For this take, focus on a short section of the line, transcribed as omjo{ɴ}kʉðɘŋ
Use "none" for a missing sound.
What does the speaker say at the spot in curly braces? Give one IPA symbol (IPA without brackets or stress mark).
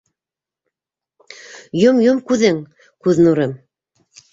m